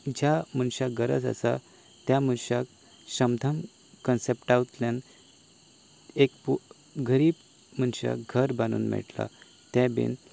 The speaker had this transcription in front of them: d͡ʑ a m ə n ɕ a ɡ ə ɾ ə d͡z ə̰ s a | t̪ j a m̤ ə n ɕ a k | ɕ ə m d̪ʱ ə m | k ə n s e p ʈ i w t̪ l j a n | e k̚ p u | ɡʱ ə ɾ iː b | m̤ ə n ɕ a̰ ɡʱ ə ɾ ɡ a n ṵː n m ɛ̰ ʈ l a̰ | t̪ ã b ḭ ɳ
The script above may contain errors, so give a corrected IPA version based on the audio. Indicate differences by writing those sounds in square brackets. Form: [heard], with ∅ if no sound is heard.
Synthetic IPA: d͡ʑ a m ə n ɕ a ɡ ə ɾ ə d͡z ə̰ s a | t̪ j a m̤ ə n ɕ a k | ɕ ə m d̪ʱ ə m | k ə n s e p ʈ [a] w t̪ l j a n | e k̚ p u | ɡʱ ə ɾ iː b | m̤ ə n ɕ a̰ ɡʱ ə ɾ [b] a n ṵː n m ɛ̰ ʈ l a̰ | t̪ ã b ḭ [n]